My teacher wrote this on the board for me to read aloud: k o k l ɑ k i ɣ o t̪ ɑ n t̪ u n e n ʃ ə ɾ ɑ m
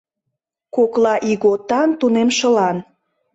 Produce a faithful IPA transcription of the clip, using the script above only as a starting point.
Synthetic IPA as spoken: k o k l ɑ ʔ i ɣ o t̪ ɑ n t̪ u n e m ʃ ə l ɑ n